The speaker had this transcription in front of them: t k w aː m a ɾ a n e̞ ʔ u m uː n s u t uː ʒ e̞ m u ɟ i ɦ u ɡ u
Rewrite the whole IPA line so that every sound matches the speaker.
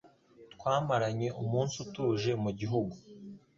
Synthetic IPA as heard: t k w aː m a ɾ a ɲ e̞ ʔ u m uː n s u t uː ʒ e̞ m u ɟ i ɦ u ɡ u

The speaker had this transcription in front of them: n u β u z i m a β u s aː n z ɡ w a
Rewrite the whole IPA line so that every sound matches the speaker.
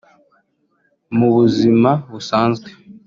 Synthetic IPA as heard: m u β u z i m a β u s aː n z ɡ w e

